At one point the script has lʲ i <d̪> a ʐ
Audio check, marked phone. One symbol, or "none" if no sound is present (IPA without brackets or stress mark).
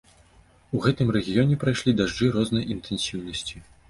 d̪